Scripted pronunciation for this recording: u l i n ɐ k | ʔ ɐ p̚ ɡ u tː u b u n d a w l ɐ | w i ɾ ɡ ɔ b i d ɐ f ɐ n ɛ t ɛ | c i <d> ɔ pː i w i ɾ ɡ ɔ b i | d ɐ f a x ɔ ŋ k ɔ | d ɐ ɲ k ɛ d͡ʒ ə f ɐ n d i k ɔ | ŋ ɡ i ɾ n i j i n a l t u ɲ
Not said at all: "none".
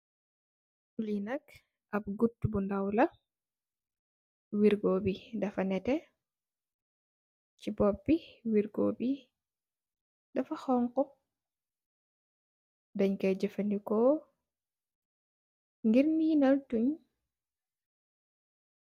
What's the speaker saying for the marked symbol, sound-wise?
b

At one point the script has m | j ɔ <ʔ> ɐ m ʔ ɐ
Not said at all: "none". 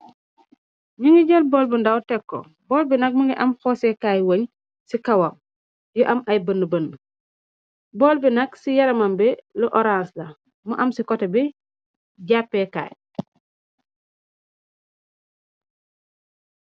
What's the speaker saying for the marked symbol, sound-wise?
ʔ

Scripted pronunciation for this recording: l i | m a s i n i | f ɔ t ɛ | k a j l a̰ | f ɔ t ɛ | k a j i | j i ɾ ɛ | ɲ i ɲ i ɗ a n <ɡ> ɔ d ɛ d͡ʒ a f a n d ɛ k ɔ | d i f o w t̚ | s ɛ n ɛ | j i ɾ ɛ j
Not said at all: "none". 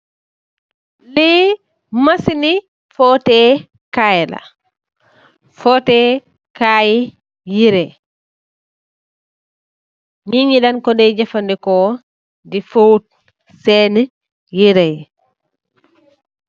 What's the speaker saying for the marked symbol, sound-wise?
k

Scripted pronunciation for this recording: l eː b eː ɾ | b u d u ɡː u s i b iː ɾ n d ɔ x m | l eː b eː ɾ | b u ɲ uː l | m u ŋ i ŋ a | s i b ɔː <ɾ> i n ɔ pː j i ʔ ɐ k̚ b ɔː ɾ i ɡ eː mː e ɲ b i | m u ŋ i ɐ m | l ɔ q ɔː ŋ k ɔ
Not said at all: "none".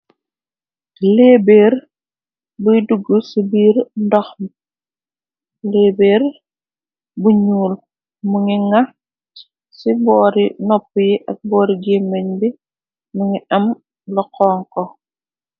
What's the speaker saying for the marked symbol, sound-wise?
ɾ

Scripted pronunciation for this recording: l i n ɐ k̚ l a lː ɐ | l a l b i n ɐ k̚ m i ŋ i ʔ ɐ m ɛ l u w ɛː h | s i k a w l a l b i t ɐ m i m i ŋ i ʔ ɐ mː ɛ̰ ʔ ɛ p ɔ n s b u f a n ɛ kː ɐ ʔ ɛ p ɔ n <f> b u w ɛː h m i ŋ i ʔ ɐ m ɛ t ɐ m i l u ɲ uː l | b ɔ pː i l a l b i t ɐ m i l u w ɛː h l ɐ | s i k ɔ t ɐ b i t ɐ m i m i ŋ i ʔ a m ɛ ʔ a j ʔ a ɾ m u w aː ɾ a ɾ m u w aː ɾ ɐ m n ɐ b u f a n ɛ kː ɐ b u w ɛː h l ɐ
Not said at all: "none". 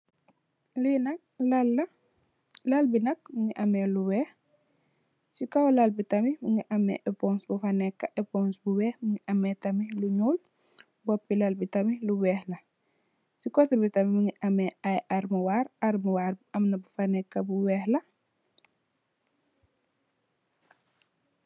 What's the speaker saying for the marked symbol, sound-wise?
s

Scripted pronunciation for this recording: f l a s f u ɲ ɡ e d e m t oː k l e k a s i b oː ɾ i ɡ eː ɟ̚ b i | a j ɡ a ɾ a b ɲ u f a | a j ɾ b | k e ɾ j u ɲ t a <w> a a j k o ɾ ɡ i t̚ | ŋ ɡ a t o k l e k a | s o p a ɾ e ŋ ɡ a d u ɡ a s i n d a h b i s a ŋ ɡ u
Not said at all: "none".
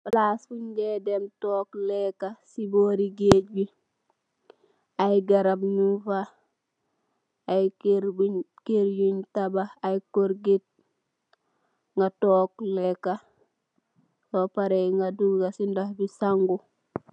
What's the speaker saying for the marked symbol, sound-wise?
b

